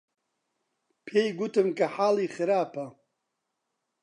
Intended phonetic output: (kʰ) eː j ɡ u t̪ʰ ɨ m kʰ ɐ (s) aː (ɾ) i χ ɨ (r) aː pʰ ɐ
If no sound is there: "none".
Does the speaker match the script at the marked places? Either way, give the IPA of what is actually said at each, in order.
pʰ, ħ, l, ɾ

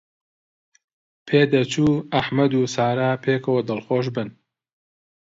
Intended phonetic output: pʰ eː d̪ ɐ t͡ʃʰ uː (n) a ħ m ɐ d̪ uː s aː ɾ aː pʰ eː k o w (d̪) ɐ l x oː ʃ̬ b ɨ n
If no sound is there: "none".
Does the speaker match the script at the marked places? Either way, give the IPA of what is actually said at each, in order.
none, d̪

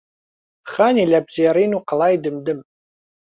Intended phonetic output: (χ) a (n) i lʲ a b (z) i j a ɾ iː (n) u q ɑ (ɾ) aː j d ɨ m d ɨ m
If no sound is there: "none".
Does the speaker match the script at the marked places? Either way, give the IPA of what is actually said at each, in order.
χ, n, z, n, l

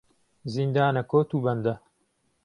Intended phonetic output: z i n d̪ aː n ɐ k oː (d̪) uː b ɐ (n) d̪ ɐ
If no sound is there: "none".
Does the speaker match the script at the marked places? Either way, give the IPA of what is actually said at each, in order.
t̪, n

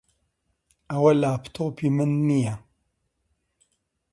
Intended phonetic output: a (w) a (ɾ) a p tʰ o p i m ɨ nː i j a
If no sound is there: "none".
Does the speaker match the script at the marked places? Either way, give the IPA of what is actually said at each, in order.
w, l

